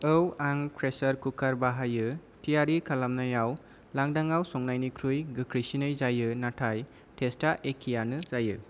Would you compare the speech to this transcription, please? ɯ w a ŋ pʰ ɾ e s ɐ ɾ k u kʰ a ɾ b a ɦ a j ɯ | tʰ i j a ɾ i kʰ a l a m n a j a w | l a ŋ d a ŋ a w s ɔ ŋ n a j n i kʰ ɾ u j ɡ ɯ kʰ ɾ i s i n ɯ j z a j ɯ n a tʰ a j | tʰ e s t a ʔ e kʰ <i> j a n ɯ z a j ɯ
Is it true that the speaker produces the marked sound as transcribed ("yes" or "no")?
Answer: yes